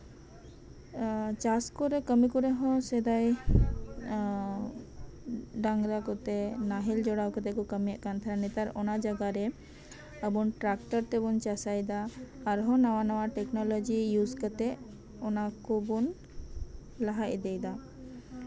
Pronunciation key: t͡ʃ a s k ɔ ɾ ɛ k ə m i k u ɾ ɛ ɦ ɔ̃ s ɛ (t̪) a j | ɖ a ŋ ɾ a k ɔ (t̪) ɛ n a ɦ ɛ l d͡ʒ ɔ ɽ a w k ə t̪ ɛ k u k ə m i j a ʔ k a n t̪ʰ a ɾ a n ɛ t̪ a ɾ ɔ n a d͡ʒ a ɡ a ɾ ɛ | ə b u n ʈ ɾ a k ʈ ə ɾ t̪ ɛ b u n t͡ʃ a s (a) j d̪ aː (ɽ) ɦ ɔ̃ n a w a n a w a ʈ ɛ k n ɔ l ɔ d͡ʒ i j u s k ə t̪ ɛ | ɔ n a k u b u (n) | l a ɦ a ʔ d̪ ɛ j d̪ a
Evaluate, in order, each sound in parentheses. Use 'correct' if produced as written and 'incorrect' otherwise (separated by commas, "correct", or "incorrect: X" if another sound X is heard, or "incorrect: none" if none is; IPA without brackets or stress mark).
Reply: incorrect: d̪, correct, correct, incorrect: ɾ, correct